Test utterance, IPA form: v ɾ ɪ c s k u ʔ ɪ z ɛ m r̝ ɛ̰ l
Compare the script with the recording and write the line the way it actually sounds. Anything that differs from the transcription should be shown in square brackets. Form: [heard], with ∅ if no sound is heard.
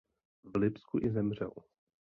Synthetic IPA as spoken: v [l] ɪ [p] s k u ʔ ɪ z ɛ m r̝ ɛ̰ l